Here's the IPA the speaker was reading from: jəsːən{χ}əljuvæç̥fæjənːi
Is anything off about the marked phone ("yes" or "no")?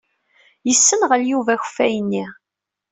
yes